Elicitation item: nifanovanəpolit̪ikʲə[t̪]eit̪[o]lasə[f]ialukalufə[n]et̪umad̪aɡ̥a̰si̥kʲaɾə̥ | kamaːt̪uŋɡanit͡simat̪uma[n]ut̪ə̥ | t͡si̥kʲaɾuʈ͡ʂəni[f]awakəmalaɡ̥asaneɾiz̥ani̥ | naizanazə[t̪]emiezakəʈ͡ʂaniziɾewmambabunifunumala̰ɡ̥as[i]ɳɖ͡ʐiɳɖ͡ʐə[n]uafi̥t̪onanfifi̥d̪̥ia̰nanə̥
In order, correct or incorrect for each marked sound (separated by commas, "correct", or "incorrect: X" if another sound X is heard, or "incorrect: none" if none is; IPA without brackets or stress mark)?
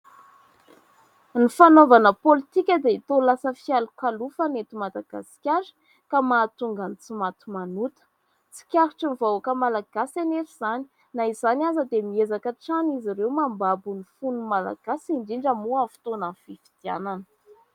incorrect: d̪, correct, correct, correct, correct, incorrect: v, incorrect: d̪, correct, incorrect: m